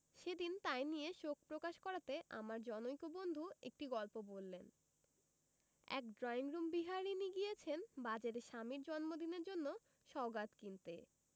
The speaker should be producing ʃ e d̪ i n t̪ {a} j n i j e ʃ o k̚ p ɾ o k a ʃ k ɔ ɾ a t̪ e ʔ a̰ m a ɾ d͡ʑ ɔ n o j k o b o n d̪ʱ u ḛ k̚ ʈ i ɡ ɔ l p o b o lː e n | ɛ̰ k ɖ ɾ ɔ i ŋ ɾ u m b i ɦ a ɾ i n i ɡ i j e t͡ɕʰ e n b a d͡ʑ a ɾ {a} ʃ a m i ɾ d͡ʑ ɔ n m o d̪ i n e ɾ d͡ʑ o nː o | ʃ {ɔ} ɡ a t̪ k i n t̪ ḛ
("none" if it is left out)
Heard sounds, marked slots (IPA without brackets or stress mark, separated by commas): a, e, ɔ